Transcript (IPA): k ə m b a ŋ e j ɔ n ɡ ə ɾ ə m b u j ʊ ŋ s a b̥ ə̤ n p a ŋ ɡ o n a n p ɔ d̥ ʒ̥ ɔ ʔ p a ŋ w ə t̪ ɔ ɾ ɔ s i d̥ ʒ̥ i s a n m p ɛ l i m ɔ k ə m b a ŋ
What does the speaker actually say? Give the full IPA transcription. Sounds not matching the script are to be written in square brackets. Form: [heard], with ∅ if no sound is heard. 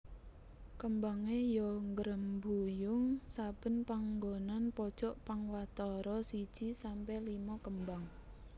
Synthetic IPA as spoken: k ə m b a ŋ e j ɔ [ŋ] ɡ ə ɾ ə m b u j ʊ ŋ s a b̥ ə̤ n p a ŋ ɡ o n a n p ɔ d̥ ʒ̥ ɔ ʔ p a ŋ w [a] t̪ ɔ ɾ ɔ s i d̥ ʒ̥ i s a [∅] m p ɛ l i m ɔ k ə m b a ŋ

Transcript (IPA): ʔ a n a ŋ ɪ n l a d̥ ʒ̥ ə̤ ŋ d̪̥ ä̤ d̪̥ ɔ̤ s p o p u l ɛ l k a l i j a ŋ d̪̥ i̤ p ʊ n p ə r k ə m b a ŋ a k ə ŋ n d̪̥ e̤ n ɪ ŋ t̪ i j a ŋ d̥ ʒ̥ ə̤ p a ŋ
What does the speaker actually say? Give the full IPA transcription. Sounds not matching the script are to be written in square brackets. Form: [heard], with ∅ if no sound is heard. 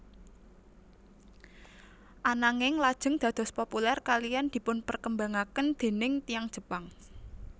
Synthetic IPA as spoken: ʔ a n a ŋ ɪ [ŋ] l a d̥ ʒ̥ ə̤ ŋ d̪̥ ä̤ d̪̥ ɔ̤ s p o p u l ɛ [r] k a l i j a [n] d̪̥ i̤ p ʊ n p ə r k ə m b a ŋ a k ə [∅] n d̪̥ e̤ n ɪ ŋ t̪ i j a ŋ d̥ ʒ̥ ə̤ p a ŋ

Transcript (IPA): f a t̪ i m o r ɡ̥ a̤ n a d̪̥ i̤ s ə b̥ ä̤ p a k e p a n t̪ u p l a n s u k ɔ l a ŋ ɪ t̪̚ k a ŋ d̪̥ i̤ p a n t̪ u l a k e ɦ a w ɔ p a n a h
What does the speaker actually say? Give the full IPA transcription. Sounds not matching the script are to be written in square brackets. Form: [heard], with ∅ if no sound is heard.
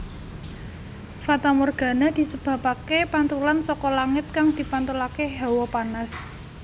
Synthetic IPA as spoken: f a t̪ [a] m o r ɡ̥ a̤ n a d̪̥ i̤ s ə b̥ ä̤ p a k e p a n t̪ u [∅] l a n s [ɔ] k ɔ l a ŋ ɪ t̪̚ k a ŋ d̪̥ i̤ p a n t̪ u l a k e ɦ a w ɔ p a n a [s]

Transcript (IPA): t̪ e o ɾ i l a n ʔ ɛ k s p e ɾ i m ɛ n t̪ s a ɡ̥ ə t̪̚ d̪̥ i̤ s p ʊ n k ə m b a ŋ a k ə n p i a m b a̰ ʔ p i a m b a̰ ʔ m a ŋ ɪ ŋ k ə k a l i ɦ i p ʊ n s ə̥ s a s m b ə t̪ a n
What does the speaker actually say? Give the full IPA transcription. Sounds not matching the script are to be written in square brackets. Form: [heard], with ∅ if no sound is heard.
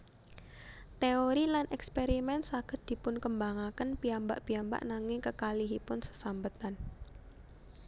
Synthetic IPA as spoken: t̪ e o ɾ i l a n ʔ ɛ k s p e ɾ i m ɛ n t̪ s a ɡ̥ ə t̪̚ d̪̥ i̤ [∅] p ʊ n k ə m b a ŋ a k ə n p i a m b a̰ ʔ p i a m b a̰ ʔ [n] a ŋ ɪ ŋ k ə k a l i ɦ i p ʊ n s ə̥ s a [∅] m b ə t̪ a n

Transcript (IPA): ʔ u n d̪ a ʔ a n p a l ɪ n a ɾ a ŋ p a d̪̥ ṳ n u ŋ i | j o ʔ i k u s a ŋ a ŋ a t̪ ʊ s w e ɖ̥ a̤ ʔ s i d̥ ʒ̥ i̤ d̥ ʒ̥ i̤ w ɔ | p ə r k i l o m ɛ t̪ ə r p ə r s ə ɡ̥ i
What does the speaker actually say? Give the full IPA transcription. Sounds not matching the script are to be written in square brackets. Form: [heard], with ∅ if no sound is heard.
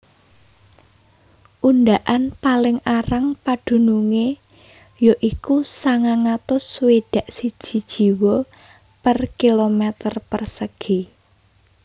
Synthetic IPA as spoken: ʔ u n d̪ a ʔ a n p a l ɪ [ŋ] a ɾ a ŋ p a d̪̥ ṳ n u ŋ [e] | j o ʔ i k u s a ŋ a ŋ a t̪ ʊ s w e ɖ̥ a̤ ʔ s i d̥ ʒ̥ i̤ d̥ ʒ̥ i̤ w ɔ | p ə r k i l o m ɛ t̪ ə r p ə r s ə ɡ̥ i

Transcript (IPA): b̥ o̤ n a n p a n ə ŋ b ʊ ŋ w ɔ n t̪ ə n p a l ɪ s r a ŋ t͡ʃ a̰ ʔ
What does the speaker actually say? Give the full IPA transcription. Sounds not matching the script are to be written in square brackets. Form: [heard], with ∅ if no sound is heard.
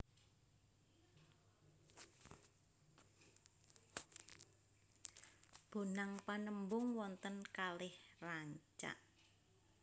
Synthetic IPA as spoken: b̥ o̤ n a [ŋ] p a n ə [m] b ʊ ŋ w ɔ n t̪ ə n [k] a l ɪ [h] r a [ɲ] t͡ʃ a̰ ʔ

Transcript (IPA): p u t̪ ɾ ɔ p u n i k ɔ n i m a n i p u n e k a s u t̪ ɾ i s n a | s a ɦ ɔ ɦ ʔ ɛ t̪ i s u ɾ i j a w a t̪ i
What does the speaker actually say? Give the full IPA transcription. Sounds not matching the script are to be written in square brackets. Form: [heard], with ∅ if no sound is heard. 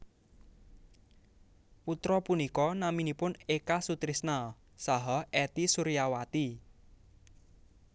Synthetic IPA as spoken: p u t̪ ɾ ɔ p u n i k ɔ n [a] m [i] n i p [ʊ] n e k a s u t̪ ɾ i s n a | s a ɦ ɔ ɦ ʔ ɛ t̪ i s u ɾ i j a w a t̪ i

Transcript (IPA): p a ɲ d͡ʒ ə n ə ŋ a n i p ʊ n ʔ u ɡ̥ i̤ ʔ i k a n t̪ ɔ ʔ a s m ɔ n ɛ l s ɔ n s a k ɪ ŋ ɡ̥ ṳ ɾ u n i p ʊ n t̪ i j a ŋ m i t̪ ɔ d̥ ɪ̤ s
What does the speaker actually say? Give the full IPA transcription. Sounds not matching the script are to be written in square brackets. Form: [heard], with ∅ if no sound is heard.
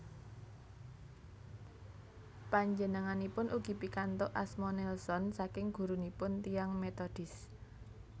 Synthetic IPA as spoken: p a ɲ d͡ʒ ə n ə ŋ a n i p ʊ n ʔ u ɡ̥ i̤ [p] i k a n t̪ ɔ ʔ a s m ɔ n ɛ l s ɔ n s a k ɪ ŋ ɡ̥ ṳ ɾ u n i p ʊ n t̪ i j a ŋ m [e] t̪ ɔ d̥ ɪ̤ s

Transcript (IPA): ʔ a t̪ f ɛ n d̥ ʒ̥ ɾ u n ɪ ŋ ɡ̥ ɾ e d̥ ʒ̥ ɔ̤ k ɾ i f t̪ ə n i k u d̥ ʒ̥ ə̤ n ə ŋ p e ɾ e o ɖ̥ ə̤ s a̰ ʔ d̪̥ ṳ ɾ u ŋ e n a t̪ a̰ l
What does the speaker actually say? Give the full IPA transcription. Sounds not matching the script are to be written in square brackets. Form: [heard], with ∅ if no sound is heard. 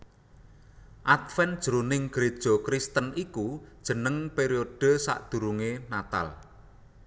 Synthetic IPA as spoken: ʔ a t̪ f ɛ n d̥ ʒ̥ ɾ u n ɪ ŋ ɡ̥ ɾ e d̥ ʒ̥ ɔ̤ k ɾ i [s] t̪ ə n i k u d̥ ʒ̥ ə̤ n ə ŋ p e ɾ [i] o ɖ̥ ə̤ s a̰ ʔ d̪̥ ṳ ɾ u ŋ e n a t̪ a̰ l

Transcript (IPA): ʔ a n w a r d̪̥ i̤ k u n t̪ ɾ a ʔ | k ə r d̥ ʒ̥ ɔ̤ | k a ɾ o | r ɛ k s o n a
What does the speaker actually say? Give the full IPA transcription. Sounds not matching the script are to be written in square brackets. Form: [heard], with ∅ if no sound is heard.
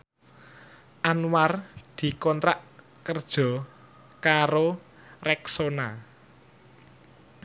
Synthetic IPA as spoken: ʔ a n w a r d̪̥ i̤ k [ɔ] n t̪ ɾ a ʔ | k ə r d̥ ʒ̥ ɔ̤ | k a ɾ o | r ɛ k s o n a

